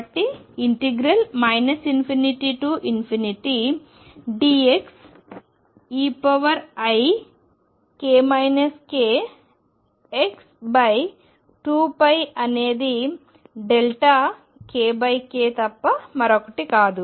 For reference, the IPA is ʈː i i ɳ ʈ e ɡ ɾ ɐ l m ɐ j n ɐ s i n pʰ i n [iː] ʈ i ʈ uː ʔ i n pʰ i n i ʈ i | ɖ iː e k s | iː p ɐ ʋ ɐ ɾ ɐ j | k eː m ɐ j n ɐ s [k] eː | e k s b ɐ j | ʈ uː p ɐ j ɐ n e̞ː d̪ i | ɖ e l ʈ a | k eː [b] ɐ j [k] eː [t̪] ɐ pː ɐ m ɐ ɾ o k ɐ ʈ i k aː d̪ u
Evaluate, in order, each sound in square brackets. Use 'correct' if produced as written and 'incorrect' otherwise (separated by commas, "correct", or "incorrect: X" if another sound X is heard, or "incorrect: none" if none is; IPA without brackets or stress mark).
incorrect: i, correct, correct, correct, correct